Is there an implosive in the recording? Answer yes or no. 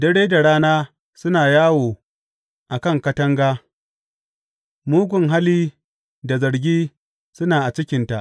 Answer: no